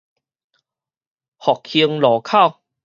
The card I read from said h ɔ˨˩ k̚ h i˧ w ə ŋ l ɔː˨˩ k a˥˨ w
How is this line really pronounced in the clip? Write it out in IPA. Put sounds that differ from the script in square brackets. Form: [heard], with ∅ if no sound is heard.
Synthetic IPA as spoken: h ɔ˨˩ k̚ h i˧ [∅] ə ŋ l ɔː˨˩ [kʰ] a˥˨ w